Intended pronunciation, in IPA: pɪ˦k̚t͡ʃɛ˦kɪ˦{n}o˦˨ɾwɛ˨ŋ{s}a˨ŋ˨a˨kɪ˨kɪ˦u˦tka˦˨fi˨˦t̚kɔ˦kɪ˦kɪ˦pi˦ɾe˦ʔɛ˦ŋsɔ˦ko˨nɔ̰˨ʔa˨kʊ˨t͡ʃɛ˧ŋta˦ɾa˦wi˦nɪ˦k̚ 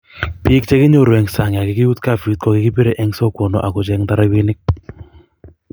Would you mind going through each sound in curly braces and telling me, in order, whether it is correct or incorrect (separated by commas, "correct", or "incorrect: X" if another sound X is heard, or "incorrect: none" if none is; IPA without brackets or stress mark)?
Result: incorrect: ɲ, correct